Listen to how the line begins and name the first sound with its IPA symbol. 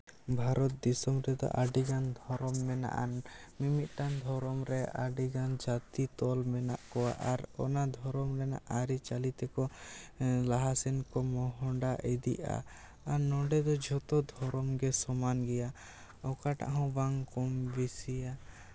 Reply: bʱ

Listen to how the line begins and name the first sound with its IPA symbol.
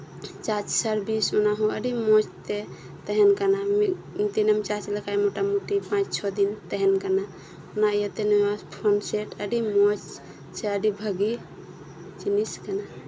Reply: t͡ʃ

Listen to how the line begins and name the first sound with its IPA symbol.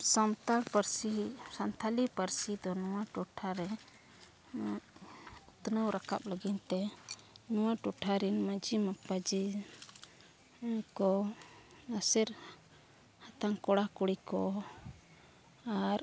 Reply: s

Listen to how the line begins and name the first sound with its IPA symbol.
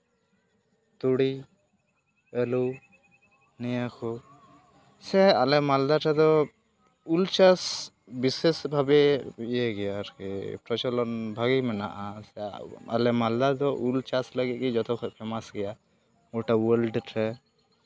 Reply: t̪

